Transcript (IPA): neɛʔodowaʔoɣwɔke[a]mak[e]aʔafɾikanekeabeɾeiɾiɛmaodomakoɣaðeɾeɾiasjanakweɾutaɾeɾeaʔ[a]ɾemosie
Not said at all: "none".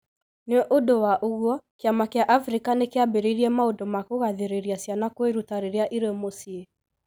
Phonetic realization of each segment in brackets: a, e, i

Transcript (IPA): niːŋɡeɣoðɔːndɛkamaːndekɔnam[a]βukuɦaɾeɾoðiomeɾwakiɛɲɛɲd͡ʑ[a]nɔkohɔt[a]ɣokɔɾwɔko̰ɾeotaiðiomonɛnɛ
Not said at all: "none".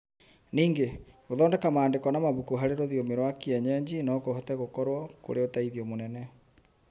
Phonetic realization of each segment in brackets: a, i, ɛ

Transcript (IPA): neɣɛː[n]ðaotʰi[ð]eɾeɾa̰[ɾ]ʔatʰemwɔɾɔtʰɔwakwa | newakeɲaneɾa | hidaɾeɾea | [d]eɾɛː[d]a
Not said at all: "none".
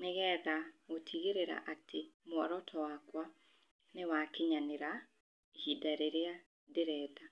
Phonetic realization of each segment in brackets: none, ɣ, none, d, d

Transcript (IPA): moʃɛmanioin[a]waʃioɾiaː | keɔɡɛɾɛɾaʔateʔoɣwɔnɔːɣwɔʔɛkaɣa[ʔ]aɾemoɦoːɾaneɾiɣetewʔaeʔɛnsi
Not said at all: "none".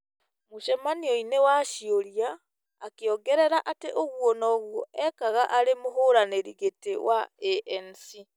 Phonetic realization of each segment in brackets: e, ʔ

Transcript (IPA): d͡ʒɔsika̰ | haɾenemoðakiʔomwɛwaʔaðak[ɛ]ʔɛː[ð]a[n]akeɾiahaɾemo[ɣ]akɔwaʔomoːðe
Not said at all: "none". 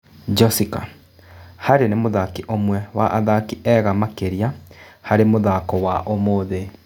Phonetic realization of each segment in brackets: i, ɣ, m, ð

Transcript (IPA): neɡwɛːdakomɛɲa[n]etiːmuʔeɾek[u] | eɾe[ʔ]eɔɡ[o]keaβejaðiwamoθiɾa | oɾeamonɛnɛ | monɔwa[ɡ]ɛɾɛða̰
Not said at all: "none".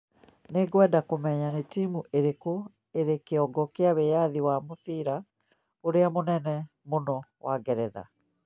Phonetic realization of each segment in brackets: n, o, k, ɔ, ɡ

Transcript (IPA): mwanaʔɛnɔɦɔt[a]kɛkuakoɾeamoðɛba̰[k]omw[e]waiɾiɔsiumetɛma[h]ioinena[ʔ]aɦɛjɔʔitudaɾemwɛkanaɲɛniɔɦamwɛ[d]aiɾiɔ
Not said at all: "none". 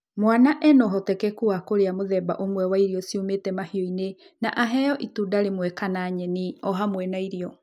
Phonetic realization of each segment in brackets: ɛ, ʔ, ɛ, h, ʔ, n

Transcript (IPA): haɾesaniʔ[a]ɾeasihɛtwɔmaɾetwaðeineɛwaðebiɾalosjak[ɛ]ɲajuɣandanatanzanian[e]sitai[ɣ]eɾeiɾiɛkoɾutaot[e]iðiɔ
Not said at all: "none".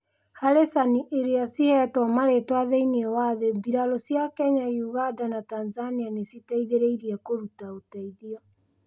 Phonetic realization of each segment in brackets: e, ɛ, e, ð, a

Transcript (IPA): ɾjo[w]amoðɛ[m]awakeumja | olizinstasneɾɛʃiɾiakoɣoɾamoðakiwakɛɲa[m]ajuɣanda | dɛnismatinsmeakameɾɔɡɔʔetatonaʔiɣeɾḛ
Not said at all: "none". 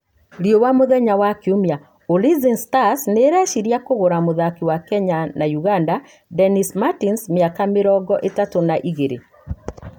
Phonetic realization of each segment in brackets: w, ɲ, n

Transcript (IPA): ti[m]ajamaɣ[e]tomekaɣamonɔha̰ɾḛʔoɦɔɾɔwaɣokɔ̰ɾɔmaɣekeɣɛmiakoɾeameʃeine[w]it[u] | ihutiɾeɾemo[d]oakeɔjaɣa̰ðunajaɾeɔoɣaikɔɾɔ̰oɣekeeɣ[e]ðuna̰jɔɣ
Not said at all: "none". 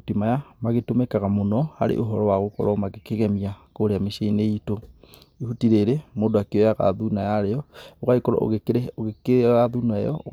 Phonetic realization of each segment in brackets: m, e, none, o, d, a

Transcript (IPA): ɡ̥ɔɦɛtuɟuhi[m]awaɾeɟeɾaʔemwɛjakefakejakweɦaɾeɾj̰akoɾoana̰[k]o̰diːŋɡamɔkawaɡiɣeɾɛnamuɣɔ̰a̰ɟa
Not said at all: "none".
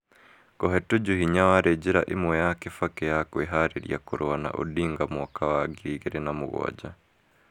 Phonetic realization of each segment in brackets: ɲ, ʔ

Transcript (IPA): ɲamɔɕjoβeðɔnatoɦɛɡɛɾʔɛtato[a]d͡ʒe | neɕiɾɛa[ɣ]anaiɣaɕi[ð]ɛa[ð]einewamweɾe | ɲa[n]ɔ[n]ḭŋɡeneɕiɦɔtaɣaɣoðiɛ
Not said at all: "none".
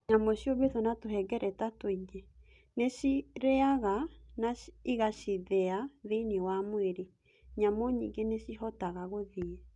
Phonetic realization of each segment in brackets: i, ɣ, ð, ð, m, ɲ

